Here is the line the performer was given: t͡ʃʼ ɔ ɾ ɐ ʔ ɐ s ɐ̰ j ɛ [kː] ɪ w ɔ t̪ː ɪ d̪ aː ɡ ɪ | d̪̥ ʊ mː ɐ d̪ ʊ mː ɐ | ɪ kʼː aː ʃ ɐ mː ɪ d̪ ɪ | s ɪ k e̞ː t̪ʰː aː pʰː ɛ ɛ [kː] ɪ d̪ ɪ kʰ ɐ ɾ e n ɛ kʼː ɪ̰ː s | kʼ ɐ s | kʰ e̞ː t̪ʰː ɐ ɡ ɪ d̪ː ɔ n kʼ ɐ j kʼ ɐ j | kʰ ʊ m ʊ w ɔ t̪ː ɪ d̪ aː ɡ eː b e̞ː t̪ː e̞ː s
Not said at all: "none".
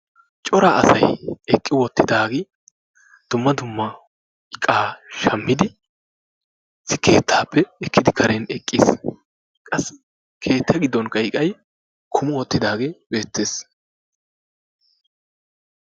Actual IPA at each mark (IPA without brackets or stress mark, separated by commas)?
kʼː, kː